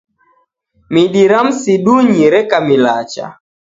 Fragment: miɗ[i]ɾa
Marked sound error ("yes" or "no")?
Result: no